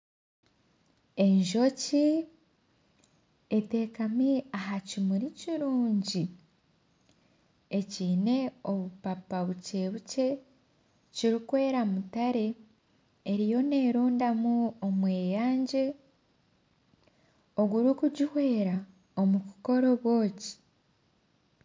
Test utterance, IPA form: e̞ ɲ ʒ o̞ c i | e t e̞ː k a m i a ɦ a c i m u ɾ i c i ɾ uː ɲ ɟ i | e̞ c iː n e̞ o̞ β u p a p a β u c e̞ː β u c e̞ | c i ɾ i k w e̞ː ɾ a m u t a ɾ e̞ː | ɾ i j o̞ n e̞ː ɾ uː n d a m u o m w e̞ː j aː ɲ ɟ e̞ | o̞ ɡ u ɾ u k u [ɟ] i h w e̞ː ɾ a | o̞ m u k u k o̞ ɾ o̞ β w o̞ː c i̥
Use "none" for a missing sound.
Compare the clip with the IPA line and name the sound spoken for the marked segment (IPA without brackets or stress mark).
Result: ɟ